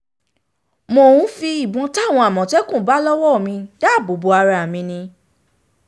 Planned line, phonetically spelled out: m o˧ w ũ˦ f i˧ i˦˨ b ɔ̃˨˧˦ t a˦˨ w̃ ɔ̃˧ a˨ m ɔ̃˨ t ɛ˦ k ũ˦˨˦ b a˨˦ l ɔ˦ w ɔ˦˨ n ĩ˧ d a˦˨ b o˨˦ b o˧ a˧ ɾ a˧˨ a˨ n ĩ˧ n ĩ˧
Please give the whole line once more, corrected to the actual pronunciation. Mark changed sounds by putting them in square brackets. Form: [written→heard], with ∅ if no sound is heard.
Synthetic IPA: m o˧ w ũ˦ f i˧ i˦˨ b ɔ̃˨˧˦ t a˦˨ w̃ ɔ̃˧ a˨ m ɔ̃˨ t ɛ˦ k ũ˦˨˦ b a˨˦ l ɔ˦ w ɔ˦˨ [n→m] ĩ˧ d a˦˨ b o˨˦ b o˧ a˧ ɾ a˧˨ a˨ [n→m] ĩ˧ n ĩ˧